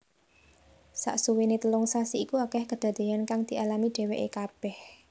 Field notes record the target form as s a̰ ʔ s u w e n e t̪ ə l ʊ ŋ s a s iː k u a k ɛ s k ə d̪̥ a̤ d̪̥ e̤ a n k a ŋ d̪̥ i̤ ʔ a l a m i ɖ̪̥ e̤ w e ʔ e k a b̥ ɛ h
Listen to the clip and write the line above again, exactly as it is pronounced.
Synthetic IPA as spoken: s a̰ ʔ s u w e n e t̪ ə l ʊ ŋ s a s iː k u a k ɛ h k ə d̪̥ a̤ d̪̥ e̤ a n k a ŋ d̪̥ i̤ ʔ a l a m i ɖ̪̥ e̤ w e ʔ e k a b̥ ɛ h